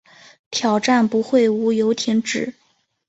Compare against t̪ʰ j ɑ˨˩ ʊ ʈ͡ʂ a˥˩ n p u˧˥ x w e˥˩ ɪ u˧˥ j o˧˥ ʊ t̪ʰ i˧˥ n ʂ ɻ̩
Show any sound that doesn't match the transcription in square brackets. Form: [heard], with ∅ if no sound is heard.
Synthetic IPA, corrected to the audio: t̪ʰ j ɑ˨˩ ʊ ʈ͡ʂ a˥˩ n p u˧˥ x w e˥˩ ɪ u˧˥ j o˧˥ ʊ t̪ʰ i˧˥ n [ʈ͡ʂ] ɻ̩